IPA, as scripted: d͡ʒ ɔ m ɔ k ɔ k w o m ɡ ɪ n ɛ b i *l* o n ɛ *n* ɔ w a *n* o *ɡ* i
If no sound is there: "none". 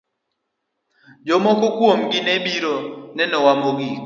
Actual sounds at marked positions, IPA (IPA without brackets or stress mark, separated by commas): ɾ, n, m, ɡ